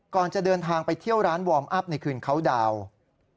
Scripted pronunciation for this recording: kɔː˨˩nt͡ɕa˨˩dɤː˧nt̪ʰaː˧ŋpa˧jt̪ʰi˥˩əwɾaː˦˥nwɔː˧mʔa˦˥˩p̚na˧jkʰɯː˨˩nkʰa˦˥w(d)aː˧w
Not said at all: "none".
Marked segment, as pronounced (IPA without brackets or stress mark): d